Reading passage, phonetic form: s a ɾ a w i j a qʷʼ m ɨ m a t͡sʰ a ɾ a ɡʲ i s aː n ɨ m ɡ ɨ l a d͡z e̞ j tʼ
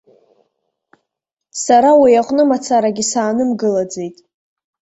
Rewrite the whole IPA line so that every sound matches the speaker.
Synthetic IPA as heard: s a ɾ a w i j a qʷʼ n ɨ m a t͡sʰ a ɾ a ɡʲ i s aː n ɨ m ɡ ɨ l a d͡z e̞ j tʼ